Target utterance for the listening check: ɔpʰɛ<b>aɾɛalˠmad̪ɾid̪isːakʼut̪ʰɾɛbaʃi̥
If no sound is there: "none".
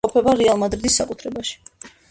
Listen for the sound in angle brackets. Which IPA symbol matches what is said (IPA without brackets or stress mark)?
b